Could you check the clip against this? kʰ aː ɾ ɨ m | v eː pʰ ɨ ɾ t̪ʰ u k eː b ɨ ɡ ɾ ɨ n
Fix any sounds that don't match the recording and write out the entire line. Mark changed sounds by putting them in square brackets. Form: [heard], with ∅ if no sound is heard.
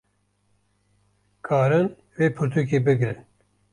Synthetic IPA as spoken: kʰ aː ɾ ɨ [n] | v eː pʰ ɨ ɾ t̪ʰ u k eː b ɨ ɡ ɾ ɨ n